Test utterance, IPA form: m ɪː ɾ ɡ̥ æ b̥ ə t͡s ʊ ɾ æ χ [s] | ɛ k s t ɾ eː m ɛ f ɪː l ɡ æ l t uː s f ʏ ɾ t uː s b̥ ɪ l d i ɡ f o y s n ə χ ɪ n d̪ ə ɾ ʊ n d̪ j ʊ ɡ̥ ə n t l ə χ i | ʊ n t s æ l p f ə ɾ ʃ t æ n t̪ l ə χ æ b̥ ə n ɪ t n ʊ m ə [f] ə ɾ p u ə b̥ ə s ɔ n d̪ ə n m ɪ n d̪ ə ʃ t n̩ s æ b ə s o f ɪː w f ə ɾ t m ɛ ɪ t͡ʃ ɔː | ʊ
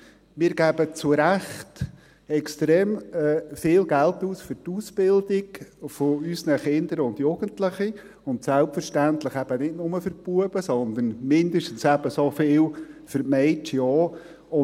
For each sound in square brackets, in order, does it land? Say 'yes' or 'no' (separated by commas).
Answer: no, yes